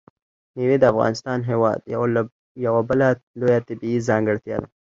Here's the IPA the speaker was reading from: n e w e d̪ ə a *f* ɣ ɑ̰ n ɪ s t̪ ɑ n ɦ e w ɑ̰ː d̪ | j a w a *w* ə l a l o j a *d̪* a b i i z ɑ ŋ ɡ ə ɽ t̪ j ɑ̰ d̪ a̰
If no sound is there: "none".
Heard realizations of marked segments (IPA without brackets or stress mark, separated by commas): f, b, t̪